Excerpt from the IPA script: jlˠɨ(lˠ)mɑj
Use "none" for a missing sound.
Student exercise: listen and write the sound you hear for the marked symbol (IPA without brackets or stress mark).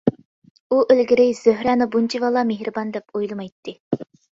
none